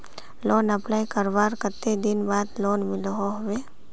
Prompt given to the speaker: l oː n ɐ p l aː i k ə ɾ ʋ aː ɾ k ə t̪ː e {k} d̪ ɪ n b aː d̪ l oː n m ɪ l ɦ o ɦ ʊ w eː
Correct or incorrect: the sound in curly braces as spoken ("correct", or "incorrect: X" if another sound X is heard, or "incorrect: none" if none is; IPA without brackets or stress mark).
incorrect: none